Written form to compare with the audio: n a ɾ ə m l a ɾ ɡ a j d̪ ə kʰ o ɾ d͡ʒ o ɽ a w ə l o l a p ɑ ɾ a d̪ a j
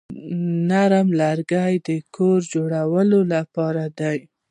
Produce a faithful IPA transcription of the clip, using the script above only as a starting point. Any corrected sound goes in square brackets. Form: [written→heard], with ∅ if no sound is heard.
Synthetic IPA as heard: n a ɾ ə m l a ɾ ɡ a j d̪ ə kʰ o ɾ d͡ʒ o ɽ a w ə l o l a p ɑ ɾ a d̪ a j